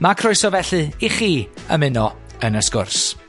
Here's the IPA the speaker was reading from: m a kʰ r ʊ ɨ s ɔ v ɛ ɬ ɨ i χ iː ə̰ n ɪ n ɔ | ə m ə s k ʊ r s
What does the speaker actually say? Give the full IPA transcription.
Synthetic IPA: m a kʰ r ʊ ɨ s ɔ v ɛ ɬ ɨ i χ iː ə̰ m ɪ n ɔ | ə n ə s k ʊ r s

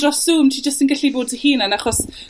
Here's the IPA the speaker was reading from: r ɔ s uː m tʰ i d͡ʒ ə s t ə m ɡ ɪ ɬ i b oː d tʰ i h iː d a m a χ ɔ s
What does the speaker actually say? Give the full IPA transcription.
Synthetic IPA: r ɔ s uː m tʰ i d͡ʒ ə s t ə n ɡ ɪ ɬ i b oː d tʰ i h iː n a n a χ ɔ s

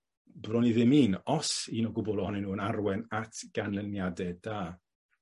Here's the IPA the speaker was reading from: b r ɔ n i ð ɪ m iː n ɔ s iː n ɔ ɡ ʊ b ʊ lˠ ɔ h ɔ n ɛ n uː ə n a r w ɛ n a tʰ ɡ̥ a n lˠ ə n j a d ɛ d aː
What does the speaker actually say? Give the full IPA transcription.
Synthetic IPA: b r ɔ n i ð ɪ m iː n ɔ s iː n ɔ ɡ ʊ b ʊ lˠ ɔ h ɔ n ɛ n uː ə n a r w ɛ n a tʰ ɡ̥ a n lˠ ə n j a d ɛ d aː

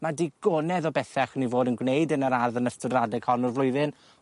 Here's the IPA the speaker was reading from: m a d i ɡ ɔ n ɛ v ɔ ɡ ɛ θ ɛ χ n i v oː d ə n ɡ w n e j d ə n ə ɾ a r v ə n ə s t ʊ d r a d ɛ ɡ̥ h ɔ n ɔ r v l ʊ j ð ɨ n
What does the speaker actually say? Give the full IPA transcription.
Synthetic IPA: m a d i ɡ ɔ n ɛ ð ɔ b ɛ θ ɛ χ n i v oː d ə n ɡ w n e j d ə n ə ɾ a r ð ə n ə s t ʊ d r a d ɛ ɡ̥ h ɔ n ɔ r v l ʊ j ð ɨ n

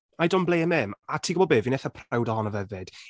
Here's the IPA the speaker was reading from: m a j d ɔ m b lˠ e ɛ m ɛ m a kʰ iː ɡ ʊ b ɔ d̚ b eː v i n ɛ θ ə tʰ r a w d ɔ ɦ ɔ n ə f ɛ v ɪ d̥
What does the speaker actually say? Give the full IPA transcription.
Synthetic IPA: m a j d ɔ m b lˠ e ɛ m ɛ m a tʰ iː ɡ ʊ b ɔ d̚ b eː v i n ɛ θ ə pʰ r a w d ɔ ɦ ɔ n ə v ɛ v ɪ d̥

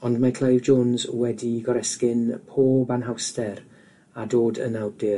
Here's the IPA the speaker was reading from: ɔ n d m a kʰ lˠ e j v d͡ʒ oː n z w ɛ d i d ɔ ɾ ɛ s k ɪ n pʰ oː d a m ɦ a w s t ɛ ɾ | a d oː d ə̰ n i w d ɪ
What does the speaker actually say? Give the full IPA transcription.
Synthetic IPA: ɔ n d m a kʰ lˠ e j v d͡ʒ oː n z w ɛ d i ɡ ɔ ɾ ɛ s k ɪ n pʰ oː b a n ɦ a w s t ɛ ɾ | a d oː d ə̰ n a w d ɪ

